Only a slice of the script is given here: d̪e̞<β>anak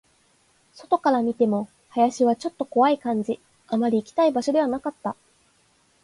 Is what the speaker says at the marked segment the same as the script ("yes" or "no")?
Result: yes